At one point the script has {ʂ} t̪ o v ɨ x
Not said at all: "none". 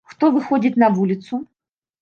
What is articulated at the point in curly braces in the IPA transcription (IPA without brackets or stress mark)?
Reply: x